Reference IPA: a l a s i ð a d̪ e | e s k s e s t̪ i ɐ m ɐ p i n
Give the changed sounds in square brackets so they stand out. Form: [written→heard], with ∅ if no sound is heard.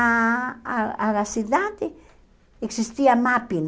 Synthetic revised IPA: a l a s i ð a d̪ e | e [s→∅] k s [e→i] s t̪ i [ɐ→a] m [ɐ→a] p i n